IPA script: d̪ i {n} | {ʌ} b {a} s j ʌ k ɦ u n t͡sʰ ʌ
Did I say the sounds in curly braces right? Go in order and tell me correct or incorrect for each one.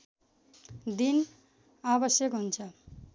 correct, incorrect: a, incorrect: ʌ

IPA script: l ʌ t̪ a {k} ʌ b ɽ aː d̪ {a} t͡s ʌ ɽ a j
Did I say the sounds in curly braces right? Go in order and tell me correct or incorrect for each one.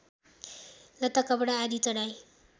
correct, incorrect: i

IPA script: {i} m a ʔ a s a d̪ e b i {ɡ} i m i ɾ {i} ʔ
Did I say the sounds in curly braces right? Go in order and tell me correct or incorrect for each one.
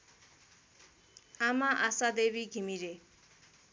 incorrect: a, correct, incorrect: e

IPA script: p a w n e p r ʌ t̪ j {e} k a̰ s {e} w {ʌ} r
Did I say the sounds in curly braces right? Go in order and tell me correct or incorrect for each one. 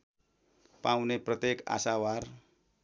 correct, incorrect: a, incorrect: a

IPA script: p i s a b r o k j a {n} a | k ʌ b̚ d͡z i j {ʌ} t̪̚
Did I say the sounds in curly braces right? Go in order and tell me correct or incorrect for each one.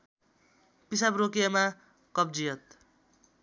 incorrect: m, correct

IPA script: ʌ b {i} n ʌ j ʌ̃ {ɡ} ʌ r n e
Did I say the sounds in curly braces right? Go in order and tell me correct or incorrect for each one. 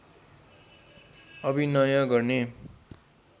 correct, correct

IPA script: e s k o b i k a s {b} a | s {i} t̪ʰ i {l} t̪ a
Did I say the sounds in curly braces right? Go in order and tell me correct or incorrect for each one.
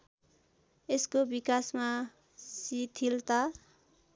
incorrect: m, correct, correct

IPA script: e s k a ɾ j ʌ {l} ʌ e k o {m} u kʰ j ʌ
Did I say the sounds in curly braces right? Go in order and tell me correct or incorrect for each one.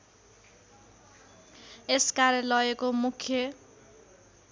correct, correct

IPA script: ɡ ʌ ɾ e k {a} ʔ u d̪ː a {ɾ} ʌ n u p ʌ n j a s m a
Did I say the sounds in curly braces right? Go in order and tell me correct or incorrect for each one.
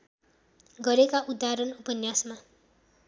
correct, correct

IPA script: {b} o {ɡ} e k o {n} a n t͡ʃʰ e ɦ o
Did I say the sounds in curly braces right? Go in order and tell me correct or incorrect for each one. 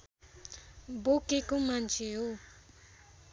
correct, incorrect: k, incorrect: m

